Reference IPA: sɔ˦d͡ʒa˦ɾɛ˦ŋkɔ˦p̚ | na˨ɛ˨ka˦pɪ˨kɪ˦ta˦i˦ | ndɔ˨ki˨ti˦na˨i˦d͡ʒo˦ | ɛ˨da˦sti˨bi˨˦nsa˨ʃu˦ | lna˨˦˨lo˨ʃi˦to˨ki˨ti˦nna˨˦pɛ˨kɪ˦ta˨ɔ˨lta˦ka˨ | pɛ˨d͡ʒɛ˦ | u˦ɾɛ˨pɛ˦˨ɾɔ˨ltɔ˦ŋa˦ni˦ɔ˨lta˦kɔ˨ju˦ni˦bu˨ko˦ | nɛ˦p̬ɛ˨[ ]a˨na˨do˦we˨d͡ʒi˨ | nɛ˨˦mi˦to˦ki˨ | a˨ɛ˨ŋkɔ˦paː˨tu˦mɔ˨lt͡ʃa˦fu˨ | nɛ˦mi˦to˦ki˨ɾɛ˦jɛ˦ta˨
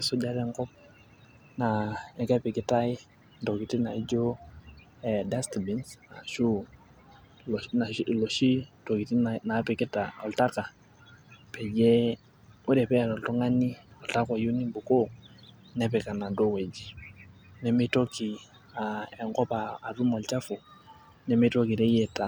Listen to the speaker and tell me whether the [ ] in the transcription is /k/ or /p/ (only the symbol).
k